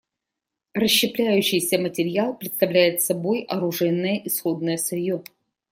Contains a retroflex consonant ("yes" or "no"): yes